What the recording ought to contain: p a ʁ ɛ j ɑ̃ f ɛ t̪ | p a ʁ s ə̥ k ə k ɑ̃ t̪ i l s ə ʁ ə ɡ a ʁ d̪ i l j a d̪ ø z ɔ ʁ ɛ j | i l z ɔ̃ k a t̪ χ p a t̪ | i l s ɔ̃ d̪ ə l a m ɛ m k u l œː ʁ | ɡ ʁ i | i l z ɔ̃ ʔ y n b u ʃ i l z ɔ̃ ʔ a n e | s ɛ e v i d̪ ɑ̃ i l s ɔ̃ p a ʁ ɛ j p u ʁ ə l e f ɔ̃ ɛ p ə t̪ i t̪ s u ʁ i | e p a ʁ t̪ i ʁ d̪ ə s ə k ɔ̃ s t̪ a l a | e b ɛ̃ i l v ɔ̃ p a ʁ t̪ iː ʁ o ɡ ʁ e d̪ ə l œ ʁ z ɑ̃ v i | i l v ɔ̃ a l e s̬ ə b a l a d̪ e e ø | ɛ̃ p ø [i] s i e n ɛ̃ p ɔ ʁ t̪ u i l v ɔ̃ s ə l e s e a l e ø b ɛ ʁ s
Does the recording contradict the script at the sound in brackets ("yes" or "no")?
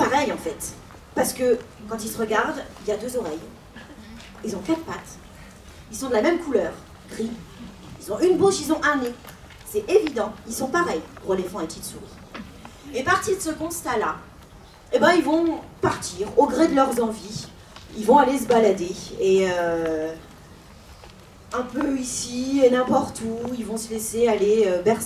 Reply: no